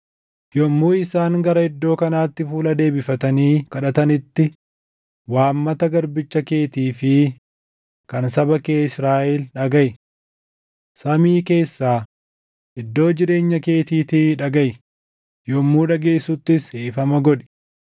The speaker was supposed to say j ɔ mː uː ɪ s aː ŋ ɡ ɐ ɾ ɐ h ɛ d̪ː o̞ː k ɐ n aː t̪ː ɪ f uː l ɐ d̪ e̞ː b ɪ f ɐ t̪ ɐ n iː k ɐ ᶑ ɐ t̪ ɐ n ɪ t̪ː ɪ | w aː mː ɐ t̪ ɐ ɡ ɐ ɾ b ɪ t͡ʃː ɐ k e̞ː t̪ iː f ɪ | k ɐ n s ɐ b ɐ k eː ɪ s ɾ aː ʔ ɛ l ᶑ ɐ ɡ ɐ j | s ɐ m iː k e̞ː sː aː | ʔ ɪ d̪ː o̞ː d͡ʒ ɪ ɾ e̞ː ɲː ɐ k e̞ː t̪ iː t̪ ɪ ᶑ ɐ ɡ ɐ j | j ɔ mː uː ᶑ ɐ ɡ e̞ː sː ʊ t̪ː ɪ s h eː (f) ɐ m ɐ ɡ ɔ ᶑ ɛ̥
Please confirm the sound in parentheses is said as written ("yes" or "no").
yes